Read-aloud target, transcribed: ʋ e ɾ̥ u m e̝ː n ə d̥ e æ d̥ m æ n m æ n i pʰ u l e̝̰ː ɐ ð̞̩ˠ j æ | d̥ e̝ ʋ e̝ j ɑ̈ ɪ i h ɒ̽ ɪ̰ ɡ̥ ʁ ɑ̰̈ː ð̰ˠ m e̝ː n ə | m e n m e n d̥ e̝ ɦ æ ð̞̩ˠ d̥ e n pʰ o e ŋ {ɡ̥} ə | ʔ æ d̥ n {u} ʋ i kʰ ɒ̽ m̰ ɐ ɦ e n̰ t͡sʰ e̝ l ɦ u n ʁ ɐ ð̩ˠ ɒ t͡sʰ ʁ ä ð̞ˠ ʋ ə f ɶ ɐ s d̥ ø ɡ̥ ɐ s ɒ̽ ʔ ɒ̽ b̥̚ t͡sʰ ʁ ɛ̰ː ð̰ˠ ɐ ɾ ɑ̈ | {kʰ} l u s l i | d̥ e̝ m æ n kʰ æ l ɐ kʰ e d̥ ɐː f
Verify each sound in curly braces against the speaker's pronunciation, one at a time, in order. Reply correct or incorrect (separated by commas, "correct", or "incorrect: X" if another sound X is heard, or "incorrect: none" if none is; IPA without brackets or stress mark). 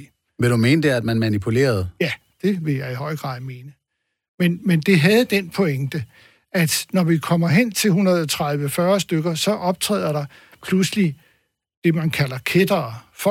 incorrect: d̥, incorrect: ɒ, incorrect: pʰ